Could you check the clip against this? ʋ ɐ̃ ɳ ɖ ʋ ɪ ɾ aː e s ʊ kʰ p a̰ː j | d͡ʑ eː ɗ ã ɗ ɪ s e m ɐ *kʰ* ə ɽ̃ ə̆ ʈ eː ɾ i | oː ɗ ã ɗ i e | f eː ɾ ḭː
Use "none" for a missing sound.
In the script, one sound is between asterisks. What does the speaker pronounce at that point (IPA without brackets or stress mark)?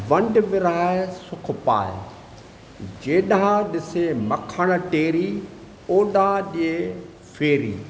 kʰ